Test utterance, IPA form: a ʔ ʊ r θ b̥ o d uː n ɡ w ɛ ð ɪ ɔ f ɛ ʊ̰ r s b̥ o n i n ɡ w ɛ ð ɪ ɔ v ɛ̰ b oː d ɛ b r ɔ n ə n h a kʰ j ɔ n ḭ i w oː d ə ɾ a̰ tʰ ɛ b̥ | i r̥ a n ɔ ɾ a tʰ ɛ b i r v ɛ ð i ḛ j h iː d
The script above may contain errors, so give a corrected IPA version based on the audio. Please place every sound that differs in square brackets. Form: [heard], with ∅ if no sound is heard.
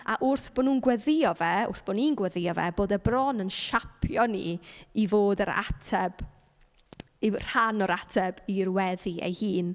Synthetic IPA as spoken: a ʔ ʊ r θ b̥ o [n] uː n ɡ w ɛ ð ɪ ɔ [v] ɛ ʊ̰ r [θ] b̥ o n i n ɡ w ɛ ð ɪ ɔ v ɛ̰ b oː d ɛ b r ɔ n ə n [ʃ] a [pʰ] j ɔ n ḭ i [v] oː d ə ɾ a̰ tʰ ɛ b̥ | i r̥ a n ɔ ɾ a tʰ ɛ b i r [w] ɛ ð i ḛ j h iː [n]